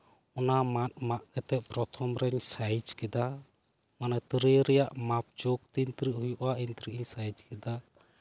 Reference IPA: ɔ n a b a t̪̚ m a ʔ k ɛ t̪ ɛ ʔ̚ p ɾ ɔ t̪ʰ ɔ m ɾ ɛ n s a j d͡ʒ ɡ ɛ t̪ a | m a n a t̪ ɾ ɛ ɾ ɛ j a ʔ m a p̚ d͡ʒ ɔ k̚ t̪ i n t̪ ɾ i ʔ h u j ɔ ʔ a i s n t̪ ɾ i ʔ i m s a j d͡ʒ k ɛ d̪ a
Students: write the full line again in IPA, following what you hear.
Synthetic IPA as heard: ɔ n a m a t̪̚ m a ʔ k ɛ t̪ ɛ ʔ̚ p ɾ ɔ t̪ʰ ɔ m ɾ ɛ ɲ s a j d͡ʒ k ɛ d̪ a | m a n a t̪ ɾ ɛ ɾ ɛ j a ʔ m a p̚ d͡ʒ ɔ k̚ t̪ i n t̪ ɾ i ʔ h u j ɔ ʔ a i n t̪ ɾ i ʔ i ɲ s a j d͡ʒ k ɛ d̪ a